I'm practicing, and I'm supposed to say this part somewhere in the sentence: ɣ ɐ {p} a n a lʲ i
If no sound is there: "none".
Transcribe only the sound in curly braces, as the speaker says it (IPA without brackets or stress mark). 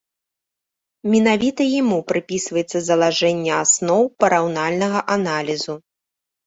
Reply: ʔ